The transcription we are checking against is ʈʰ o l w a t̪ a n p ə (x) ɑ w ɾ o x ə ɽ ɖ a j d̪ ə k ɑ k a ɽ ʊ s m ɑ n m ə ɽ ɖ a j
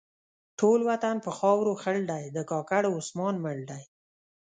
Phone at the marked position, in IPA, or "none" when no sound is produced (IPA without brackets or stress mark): x